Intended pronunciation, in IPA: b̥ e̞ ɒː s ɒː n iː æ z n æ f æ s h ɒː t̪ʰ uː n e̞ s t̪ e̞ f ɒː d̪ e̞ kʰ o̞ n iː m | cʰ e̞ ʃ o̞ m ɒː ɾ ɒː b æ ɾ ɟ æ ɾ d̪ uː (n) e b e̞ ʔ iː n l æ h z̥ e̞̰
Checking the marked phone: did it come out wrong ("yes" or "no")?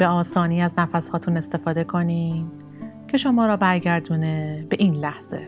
no